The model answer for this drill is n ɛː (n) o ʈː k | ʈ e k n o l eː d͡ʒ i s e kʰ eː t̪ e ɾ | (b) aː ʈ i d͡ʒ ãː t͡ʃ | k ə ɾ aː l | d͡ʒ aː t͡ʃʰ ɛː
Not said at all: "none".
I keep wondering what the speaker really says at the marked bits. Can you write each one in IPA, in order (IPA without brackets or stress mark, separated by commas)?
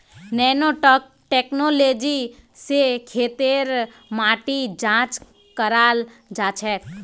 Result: n, m